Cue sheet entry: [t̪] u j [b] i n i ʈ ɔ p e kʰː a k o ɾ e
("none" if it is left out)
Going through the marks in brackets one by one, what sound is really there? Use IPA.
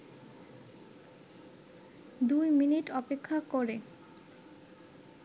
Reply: d̪, m

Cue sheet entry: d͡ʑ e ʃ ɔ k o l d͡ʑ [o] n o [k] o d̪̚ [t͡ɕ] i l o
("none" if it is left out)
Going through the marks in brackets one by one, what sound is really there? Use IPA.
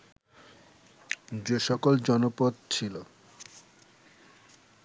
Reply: ɔ, p, t͡ɕʰ

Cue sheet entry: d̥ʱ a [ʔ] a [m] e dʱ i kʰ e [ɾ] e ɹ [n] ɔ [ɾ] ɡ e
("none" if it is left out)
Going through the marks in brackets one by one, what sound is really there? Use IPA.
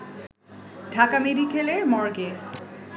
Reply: k, m, l, m, ɹ

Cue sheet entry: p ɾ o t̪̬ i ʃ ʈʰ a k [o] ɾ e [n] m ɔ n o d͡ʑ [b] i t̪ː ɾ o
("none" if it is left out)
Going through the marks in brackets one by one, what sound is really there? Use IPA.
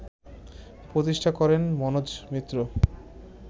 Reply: ɔ, n, m

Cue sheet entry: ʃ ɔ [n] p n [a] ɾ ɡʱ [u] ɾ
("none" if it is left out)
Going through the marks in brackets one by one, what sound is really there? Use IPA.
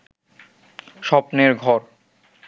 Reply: none, e, ɔ

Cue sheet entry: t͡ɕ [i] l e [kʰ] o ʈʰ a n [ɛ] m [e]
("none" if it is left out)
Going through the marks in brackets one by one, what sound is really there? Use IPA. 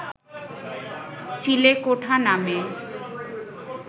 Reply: i, k, a, e

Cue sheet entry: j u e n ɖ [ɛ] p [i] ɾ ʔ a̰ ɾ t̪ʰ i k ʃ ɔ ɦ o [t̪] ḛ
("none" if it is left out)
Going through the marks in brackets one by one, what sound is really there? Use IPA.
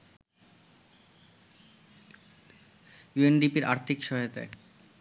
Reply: i, i, t̪

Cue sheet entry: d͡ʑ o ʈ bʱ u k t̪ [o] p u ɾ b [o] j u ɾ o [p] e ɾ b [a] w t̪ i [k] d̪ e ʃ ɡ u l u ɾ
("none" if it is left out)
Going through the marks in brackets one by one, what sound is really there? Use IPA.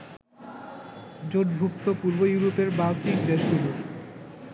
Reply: o, o, p, a, k

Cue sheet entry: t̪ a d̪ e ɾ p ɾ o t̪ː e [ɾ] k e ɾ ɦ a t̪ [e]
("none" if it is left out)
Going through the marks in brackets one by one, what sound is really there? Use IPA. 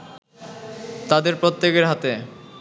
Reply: none, e

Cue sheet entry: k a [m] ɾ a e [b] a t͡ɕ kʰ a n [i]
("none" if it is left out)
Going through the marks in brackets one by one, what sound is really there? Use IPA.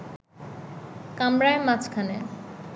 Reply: m, m, e

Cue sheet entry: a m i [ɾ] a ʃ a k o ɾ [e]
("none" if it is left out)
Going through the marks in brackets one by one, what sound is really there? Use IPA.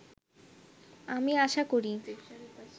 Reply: none, i

